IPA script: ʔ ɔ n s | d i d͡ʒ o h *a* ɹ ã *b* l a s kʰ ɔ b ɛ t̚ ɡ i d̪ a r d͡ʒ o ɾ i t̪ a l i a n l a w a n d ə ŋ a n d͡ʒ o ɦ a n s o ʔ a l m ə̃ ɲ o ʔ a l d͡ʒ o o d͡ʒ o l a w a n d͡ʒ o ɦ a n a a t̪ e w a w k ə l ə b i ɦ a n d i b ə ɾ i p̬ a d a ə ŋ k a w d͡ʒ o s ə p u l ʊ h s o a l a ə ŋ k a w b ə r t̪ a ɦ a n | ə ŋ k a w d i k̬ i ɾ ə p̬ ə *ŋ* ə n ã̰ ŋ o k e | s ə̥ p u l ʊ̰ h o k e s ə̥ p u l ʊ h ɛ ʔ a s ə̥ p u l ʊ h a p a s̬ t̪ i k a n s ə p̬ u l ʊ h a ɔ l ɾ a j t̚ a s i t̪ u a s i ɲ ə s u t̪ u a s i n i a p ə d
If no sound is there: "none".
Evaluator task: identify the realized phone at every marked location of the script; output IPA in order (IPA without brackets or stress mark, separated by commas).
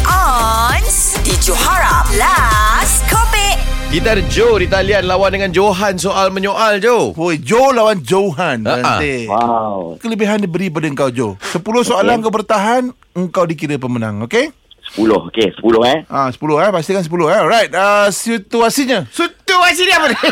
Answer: a, m, m